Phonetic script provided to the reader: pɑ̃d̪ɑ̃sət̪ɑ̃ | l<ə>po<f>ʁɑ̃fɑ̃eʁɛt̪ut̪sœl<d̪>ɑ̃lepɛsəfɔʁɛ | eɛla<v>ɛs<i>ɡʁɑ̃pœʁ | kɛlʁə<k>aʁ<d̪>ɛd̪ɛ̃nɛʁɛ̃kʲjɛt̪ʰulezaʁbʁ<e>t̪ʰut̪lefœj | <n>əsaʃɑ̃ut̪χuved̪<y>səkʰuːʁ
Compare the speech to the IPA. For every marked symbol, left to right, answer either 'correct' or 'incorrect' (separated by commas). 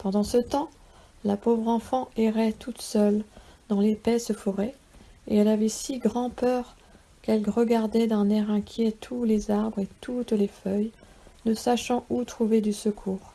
incorrect, incorrect, correct, correct, correct, incorrect, correct, correct, correct, correct